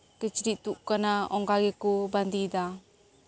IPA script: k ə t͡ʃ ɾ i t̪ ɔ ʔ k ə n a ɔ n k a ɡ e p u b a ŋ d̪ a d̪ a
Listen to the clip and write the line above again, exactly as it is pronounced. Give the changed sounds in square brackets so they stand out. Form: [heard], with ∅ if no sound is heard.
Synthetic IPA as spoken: k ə t͡ʃ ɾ i t̪ [u] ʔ k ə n a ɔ [ŋ] k a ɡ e [k] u b a [n] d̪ [i] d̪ a